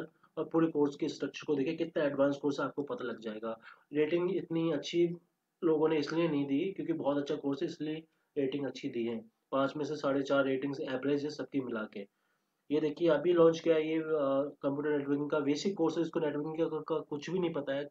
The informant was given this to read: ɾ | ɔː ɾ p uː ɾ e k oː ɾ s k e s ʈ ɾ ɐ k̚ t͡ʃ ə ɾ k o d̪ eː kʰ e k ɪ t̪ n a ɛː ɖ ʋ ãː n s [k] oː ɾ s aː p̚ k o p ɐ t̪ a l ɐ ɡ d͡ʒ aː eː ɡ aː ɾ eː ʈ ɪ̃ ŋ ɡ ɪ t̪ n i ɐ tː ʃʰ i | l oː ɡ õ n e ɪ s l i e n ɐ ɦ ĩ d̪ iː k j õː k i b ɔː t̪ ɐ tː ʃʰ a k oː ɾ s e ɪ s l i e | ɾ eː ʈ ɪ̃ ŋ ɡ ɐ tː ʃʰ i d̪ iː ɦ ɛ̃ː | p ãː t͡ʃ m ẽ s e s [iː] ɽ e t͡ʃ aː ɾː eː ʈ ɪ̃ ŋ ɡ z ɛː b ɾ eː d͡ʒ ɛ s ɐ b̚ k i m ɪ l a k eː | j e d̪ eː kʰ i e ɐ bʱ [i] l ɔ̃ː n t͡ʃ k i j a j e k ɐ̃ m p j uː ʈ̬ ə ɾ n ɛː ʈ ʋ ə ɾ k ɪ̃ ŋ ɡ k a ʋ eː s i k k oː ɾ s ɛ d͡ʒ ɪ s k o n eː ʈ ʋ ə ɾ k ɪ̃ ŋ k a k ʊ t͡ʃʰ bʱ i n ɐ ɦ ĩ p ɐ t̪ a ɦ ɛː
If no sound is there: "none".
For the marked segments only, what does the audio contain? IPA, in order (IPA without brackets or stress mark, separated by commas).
k, aː, i